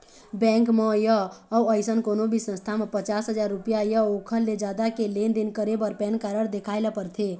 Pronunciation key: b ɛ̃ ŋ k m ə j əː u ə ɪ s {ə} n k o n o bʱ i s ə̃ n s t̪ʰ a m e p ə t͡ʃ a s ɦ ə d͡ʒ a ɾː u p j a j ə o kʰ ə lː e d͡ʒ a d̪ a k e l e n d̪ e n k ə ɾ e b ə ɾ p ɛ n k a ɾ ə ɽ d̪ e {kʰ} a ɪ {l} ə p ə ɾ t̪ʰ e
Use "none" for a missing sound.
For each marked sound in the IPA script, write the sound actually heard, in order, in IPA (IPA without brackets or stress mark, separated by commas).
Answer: ə, kʰ, l